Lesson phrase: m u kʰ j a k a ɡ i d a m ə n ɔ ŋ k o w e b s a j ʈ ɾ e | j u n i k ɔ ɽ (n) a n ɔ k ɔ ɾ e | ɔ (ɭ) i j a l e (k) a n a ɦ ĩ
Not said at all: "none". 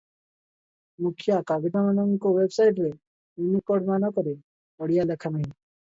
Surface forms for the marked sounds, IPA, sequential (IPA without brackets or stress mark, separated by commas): m, ɽ, kʰ